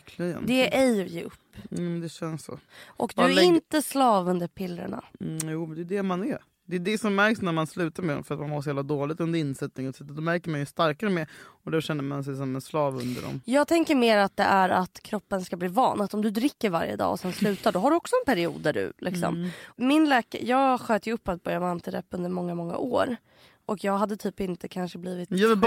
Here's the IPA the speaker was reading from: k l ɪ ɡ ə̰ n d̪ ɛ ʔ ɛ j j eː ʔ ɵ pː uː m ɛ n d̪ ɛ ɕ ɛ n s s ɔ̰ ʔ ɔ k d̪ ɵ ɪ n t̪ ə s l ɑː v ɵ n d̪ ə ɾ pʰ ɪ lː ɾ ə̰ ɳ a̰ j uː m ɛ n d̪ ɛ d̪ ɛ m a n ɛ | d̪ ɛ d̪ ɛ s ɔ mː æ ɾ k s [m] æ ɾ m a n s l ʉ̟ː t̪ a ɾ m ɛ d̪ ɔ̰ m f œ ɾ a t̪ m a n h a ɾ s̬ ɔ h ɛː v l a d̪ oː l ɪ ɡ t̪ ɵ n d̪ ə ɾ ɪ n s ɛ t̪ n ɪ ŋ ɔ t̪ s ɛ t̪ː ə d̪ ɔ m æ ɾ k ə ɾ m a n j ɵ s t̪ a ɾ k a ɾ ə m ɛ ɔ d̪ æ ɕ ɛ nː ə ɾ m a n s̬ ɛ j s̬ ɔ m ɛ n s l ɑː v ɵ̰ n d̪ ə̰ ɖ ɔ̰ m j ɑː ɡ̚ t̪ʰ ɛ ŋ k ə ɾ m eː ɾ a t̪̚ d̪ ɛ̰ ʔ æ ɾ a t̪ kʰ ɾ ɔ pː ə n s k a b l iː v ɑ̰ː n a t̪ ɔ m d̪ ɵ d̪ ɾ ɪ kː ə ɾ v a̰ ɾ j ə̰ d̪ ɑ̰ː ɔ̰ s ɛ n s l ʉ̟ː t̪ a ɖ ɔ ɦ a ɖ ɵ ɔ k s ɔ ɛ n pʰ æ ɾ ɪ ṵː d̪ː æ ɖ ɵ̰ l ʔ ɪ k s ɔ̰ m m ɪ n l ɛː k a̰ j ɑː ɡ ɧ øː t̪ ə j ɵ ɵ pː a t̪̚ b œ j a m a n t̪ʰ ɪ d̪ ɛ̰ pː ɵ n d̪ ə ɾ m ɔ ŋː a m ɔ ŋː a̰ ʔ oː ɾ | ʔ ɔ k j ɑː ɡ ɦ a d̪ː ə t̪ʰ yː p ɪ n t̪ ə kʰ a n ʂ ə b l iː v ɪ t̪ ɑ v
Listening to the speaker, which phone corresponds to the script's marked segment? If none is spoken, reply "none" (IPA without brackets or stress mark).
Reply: n